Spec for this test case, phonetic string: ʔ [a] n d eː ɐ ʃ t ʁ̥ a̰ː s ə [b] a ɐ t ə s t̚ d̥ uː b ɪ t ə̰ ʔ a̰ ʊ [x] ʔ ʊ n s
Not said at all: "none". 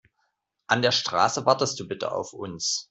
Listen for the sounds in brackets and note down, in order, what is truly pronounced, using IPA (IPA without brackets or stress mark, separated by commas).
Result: a, v, f